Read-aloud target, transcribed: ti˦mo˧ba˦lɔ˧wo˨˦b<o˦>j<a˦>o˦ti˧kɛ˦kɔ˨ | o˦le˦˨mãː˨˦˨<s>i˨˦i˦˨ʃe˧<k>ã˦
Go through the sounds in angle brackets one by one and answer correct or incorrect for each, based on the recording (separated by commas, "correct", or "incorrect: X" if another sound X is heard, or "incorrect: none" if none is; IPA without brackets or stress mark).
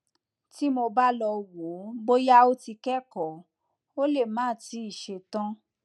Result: correct, correct, incorrect: t, incorrect: t